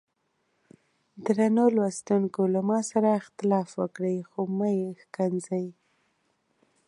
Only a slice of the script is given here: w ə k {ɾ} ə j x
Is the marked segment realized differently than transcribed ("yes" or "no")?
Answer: yes